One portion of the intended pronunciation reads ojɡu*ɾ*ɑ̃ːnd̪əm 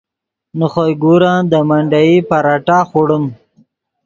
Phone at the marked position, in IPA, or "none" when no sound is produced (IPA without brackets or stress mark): ɾ